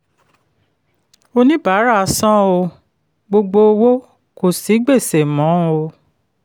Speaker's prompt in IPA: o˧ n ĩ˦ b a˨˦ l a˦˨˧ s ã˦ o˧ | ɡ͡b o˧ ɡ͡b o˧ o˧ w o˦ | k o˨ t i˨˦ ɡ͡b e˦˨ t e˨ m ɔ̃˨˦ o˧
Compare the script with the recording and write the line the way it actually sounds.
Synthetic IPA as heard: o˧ n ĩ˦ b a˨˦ ɾ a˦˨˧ s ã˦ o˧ | ɡ͡b o˧ ɡ͡b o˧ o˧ w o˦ | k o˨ s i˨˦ ɡ͡b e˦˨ s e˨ m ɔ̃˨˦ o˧